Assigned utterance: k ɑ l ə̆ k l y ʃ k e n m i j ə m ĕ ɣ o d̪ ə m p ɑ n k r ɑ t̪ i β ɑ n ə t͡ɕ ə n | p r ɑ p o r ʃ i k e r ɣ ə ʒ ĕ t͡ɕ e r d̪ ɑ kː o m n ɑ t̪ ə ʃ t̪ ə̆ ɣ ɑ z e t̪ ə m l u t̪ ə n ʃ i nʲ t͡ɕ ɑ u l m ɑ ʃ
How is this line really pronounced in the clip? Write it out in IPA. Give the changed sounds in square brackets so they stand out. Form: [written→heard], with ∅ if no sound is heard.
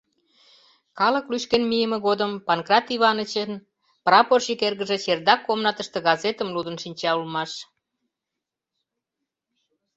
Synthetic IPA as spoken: k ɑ l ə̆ k l y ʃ k e n m i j ə m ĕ ɣ o d̪ ə m p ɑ n k r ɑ t̪ i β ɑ n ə t͡ɕ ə n | p r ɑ p o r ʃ i k e r ɣ ə ʒ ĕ t͡ɕ e r d̪ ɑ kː o m n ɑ t̪ ə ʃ t̪ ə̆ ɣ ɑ z e t̪ ə m l u [t̪→d̪] ə n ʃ i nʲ t͡ɕ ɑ u l m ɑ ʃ

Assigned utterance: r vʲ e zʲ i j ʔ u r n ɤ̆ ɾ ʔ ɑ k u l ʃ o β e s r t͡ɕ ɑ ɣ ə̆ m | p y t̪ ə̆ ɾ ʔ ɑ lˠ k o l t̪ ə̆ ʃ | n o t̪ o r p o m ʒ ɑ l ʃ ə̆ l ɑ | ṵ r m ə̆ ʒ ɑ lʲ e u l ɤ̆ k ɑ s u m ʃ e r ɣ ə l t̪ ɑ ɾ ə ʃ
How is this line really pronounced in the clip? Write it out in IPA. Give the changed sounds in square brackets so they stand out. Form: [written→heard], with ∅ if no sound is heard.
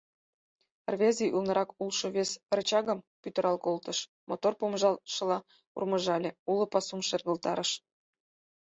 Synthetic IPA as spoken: r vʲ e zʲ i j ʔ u [r→l] n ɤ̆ ɾ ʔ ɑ k u l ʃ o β e s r t͡ɕ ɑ ɣ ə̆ m | p y t̪ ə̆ ɾ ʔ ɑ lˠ k o l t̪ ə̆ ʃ | [n→m] o t̪ o r p o m ʒ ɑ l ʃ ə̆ l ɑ | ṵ r m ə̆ ʒ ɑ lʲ e u l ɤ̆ [k→p] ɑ s u m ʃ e r ɣ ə l t̪ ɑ ɾ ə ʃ

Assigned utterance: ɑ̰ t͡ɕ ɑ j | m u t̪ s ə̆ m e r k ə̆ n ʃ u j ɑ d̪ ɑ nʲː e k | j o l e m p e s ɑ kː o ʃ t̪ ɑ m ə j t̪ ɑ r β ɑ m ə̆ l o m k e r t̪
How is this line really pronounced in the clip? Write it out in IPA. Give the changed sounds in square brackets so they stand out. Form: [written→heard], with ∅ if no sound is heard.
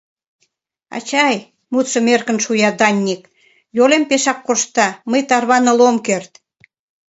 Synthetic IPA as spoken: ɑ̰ t͡ɕ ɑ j | m u t̪ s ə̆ m e r k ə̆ n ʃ u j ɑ d̪ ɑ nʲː [e→i] k | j o l e m p e [s→ʃ] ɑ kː o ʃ t̪ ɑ m ə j t̪ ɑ r β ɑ [m→n] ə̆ l o m k e r t̪

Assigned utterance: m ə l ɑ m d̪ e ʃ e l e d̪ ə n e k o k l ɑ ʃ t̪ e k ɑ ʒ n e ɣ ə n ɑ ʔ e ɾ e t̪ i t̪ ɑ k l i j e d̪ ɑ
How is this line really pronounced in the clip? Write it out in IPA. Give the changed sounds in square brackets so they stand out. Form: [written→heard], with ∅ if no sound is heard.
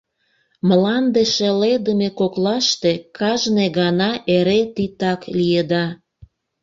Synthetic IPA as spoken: m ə l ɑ [m→n] d̪ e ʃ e l e d̪ ə [n→m] e k o k l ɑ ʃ t̪ e k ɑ ʒ n e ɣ [ə→ɑ] n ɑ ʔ e ɾ e t̪ i t̪ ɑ k l i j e d̪ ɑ

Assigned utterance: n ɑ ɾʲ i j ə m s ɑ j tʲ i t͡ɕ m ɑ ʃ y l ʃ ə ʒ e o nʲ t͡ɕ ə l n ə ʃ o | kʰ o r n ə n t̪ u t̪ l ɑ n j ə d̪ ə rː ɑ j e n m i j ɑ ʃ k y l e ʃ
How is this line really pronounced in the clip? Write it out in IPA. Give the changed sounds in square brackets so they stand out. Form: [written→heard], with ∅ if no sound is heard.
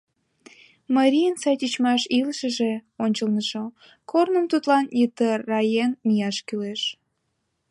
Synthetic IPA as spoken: [n→m] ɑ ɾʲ i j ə [m→n] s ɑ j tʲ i t͡ɕ m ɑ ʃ [y→i] l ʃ ə ʒ e o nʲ t͡ɕ ə l n ə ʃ o | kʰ o r n ə [n→m] t̪ u t̪ l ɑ n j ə [d̪→t̪] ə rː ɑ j e n m i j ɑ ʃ k y l e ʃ

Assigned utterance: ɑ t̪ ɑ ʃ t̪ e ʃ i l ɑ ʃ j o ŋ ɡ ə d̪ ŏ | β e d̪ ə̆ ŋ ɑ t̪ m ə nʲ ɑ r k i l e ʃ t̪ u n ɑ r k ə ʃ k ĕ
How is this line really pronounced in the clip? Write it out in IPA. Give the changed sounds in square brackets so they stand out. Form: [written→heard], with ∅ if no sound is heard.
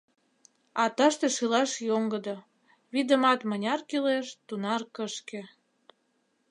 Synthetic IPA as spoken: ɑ t̪ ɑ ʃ t̪ e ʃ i l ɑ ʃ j o ŋ ɡ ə d̪ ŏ | β [e→i] d̪ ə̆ [ŋ→m] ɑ t̪ m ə nʲ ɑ r k i l e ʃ t̪ u n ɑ r k ə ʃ k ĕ

